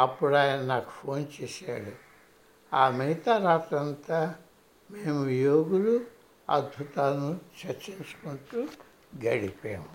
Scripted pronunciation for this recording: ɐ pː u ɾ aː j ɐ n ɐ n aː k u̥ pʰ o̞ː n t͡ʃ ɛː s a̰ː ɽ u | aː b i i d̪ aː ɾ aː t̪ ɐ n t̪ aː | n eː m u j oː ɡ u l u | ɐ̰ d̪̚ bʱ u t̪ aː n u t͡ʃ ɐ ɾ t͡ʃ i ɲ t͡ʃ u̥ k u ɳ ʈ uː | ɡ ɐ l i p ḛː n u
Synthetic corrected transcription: ɐ pː u ɽ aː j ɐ n ɐ n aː k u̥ pʰ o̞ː n t͡ʃ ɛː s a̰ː ɽ u | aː m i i t̪ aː ɾ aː t̪ ɐ n t̪ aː | m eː m u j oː ɡ u l u | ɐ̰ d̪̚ bʱ u t̪ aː n u t͡ʃ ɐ ɾ t͡ʃ i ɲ t͡ʃ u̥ k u ɳ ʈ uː | ɡ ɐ ɽ i p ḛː m u